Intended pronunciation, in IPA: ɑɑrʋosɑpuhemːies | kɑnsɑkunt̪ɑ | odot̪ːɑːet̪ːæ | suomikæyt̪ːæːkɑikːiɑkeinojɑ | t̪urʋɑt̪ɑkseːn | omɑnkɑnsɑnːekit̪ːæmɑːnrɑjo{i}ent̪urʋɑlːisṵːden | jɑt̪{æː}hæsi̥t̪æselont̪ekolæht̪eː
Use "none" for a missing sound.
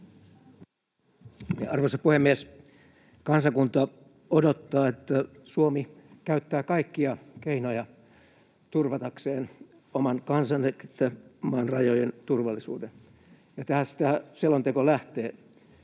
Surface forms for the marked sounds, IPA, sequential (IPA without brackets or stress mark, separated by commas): j, æ